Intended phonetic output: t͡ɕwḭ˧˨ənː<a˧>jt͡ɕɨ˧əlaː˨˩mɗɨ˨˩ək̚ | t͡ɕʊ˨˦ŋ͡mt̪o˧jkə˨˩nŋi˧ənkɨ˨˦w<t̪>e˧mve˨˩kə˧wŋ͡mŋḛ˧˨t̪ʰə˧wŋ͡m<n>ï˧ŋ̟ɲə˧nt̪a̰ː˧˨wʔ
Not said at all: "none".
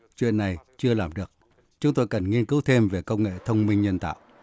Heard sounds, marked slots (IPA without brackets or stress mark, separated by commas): a˨˩, t̪ʰ, m